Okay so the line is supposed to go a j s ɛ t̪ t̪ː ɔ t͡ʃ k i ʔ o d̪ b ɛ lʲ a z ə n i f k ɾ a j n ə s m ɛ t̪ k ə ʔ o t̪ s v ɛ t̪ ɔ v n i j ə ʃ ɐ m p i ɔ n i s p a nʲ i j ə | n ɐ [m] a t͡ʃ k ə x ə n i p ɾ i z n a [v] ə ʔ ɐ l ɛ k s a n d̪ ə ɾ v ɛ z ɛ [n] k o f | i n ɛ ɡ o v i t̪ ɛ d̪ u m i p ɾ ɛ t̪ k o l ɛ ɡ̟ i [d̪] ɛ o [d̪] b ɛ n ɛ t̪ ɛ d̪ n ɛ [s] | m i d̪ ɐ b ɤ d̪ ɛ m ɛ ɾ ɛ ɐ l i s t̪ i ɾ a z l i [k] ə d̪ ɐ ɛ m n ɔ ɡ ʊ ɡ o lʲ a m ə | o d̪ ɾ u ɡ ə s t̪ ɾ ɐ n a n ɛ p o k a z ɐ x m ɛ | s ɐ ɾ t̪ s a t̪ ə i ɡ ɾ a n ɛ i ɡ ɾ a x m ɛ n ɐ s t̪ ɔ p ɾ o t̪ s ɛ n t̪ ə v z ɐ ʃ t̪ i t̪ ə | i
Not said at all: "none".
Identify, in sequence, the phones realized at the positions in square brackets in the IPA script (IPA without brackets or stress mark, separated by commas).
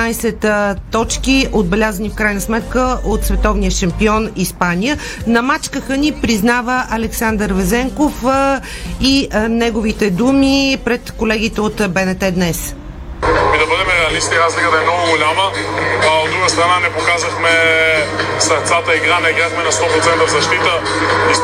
m, v, ŋ, t̪, t̪, s, k